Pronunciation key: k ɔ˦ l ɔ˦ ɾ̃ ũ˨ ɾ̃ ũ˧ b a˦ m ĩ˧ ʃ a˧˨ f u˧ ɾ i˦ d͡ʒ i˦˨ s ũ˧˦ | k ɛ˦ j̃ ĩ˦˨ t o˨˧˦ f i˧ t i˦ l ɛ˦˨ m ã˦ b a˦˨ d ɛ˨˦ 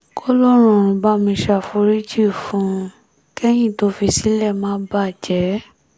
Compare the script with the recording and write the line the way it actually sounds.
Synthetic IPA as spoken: k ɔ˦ l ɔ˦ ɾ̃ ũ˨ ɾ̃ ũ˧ b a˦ m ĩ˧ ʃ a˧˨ f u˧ ɾ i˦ d͡ʒ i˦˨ f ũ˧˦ | k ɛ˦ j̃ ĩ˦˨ t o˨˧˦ f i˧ s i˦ l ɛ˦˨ m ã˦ b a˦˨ d͡ʒ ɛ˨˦